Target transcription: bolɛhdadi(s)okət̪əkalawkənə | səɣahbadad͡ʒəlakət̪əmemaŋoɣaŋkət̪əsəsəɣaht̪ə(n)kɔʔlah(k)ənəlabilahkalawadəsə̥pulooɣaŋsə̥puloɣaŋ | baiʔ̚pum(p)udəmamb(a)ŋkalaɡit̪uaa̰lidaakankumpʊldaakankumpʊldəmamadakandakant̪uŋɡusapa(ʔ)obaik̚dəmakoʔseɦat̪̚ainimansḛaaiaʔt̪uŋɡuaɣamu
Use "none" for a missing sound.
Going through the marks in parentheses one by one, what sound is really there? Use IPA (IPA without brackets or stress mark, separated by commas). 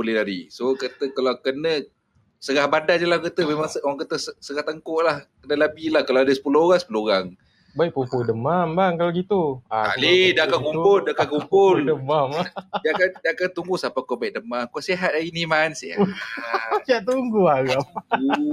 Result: s, ŋ, k, p, a, k